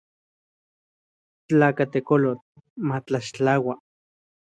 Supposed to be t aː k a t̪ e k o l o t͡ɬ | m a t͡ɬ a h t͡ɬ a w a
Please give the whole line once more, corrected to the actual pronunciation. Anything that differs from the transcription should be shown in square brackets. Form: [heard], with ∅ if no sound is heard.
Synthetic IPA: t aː k a t̪ e k o l o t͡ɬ | m a t͡ɬ a [ʃ] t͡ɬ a w a